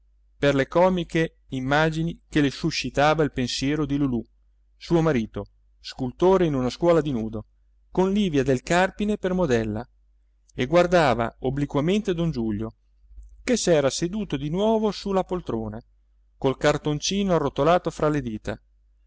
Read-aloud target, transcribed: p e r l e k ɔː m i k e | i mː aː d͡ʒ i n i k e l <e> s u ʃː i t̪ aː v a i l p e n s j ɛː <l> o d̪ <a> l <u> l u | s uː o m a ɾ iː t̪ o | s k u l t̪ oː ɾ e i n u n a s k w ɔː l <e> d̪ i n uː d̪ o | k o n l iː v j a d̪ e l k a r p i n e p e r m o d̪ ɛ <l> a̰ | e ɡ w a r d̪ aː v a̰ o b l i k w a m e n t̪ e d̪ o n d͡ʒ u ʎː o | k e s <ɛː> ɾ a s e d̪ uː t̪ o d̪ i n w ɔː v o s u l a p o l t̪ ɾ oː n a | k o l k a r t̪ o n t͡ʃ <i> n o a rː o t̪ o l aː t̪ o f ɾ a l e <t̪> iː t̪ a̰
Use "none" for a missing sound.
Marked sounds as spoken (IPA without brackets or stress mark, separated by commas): e, ɾ, i, u, a, lː, ɛː, iː, d̪